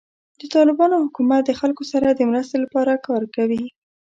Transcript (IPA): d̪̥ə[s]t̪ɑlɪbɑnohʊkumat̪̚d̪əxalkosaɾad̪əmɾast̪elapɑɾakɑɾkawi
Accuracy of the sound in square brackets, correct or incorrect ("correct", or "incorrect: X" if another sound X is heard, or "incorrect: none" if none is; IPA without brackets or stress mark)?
incorrect: none